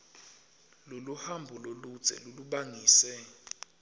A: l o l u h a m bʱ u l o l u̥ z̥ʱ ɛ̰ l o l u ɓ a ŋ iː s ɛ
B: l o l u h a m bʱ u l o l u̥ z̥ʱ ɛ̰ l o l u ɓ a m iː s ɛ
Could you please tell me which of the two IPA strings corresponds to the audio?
A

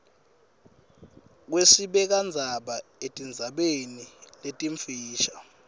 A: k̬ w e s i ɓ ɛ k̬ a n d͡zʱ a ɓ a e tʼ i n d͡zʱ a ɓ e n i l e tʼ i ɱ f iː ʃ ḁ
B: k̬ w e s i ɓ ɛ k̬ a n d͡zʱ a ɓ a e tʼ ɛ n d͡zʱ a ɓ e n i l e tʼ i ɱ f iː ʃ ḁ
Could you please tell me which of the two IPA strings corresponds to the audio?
A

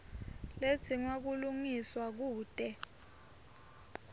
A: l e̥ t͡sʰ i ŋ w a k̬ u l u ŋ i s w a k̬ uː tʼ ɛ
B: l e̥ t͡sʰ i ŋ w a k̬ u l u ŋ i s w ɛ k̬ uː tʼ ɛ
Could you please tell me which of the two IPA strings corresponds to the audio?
A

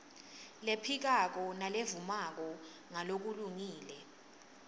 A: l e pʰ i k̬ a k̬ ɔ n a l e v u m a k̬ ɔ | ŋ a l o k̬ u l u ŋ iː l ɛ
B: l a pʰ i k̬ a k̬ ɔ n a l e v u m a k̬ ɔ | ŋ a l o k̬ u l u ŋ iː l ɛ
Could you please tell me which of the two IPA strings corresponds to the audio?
A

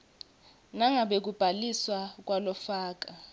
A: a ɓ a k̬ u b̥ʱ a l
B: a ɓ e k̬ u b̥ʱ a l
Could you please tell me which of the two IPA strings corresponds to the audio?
B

